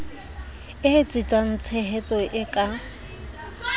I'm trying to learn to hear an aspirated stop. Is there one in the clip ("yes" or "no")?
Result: yes